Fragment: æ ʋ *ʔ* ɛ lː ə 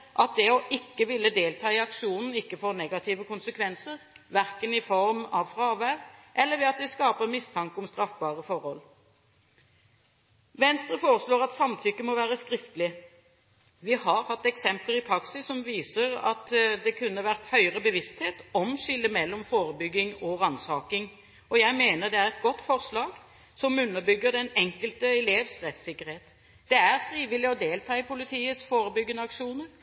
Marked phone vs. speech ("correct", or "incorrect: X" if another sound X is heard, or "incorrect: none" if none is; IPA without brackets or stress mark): correct